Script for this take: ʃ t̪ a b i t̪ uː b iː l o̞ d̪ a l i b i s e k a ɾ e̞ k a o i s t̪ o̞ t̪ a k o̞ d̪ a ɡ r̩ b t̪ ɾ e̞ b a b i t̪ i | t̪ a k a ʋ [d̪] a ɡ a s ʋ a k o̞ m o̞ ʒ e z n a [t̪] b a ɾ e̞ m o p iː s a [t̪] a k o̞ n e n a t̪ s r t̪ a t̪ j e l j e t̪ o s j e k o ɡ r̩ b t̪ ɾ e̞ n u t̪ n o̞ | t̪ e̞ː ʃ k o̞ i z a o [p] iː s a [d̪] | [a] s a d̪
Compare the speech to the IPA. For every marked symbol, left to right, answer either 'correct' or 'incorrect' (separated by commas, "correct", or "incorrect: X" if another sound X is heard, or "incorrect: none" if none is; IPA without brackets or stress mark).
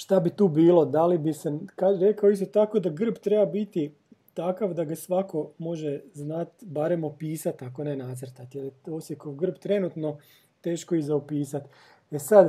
correct, correct, correct, correct, incorrect: t̪, incorrect: e